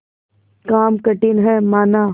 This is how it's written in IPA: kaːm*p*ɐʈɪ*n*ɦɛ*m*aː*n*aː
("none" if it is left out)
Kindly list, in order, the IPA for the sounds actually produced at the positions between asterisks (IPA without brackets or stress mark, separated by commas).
k, n, m, n